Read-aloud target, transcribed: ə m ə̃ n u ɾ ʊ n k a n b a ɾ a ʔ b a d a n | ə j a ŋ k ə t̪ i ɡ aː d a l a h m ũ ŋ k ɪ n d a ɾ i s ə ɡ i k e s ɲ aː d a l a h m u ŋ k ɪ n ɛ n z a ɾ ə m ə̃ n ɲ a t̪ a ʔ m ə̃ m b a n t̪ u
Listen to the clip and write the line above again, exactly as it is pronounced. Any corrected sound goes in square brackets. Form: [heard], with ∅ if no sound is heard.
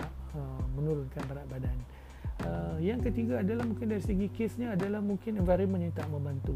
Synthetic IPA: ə m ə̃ n u ɾ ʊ n k a n b a ɾ a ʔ b a d a n | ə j a ŋ k ə t̪ i ɡ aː d a l a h m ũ ŋ k ɪ n d a ɾ i s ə ɡ i k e s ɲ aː d a l a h m u ŋ k ɪ n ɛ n [v] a ɾ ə m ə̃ n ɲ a t̪ a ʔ m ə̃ m b a n t̪ u